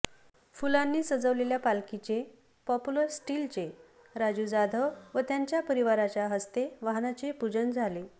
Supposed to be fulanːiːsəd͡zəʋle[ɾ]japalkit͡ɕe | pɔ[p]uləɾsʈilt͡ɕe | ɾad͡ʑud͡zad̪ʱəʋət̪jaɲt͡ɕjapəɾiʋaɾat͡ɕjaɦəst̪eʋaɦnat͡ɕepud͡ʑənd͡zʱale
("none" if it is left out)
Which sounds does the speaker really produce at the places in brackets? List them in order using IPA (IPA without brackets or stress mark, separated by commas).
l, p